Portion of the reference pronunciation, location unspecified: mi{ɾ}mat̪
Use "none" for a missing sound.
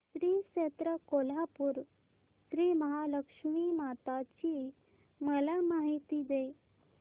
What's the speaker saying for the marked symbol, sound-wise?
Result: none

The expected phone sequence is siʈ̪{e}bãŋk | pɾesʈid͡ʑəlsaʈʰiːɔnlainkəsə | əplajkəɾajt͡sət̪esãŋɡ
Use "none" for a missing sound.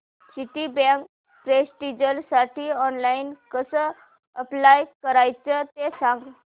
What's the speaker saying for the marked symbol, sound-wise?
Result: i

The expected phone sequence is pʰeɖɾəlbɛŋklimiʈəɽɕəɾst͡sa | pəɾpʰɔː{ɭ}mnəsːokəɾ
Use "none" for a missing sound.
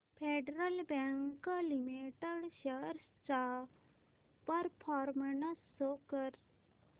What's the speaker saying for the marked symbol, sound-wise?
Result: ɾ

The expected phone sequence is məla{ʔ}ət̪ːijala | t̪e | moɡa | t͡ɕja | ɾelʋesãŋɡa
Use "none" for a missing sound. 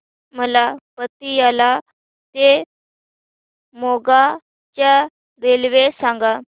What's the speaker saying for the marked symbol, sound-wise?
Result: p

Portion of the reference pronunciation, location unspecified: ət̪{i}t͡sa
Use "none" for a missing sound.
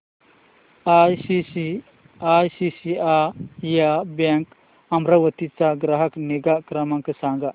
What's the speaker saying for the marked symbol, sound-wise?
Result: i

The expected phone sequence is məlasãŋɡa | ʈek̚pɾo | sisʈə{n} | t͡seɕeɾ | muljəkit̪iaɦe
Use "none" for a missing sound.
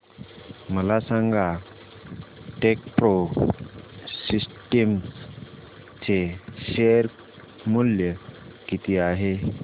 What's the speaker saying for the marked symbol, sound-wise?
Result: m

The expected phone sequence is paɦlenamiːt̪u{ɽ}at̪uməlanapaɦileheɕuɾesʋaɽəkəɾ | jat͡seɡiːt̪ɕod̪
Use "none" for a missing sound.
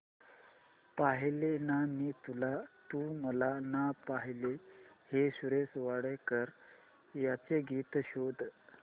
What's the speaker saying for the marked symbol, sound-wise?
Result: l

